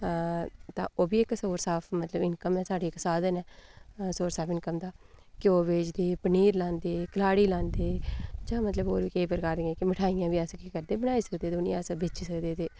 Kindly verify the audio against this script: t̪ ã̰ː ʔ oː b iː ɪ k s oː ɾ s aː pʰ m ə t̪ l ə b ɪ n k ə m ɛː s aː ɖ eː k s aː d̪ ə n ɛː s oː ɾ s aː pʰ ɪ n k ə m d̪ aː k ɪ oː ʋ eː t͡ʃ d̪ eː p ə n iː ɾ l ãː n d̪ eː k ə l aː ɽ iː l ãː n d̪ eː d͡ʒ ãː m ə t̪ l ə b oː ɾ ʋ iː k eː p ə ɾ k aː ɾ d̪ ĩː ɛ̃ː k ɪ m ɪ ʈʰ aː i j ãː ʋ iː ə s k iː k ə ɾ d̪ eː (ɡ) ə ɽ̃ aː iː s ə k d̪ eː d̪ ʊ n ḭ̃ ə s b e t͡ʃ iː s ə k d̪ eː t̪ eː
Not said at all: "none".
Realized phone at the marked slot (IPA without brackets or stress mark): b